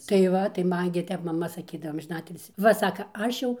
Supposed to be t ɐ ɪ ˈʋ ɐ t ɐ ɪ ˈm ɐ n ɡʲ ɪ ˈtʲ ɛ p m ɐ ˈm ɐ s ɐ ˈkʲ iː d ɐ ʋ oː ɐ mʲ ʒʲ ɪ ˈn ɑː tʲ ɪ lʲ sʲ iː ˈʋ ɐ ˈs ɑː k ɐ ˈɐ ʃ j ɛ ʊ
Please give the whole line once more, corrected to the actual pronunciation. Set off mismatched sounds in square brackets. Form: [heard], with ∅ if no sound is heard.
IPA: t ɐ ɪ ˈʋ ɐ t ɐ ɪ ˈm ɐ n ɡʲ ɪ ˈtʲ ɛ p m ɐ ˈm ɐ s ɐ ˈkʲ iː d ɐ ʋ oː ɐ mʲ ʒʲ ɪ ˈn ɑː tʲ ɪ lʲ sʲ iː ˈʋ ɐ ˈs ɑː k ɐ ˈɐ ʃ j ɛ ʊ